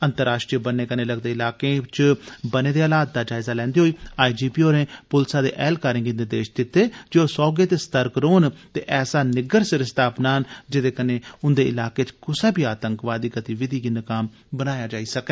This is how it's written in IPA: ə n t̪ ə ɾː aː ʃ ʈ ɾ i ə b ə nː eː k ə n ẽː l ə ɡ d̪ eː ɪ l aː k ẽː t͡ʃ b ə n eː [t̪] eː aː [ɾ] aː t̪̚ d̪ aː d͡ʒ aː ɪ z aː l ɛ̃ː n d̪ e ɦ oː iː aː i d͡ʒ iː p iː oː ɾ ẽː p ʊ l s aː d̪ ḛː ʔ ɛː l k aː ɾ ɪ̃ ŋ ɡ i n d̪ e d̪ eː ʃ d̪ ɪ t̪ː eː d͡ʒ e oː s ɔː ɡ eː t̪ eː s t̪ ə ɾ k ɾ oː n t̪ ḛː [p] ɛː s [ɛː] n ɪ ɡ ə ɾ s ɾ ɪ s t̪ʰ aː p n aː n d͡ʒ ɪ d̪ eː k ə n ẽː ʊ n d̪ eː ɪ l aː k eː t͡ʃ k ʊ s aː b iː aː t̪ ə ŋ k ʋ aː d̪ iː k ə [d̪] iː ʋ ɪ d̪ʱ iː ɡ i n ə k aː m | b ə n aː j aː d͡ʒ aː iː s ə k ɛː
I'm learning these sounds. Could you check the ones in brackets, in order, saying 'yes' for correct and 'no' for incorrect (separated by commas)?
no, no, no, no, no